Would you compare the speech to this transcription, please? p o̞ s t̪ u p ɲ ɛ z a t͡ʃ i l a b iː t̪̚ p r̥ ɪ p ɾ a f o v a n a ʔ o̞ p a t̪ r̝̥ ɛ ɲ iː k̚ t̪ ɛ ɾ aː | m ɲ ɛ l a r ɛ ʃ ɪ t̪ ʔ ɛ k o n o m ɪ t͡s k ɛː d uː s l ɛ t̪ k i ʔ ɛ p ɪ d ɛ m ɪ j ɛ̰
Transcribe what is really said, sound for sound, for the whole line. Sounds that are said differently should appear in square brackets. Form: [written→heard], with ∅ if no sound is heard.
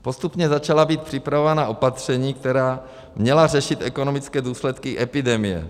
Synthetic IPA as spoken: p o̞ s t̪ u p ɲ ɛ z a t͡ʃ [i→a] l a b iː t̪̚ p r̥ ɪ p ɾ a [f→v] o v a n a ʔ o̞ p a t̪ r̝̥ ɛ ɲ iː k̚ t̪ ɛ ɾ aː | m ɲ ɛ l a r ɛ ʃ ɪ t̪ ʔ ɛ k o n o m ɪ t͡s k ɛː d uː s l ɛ t̪ k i ʔ ɛ p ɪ d ɛ m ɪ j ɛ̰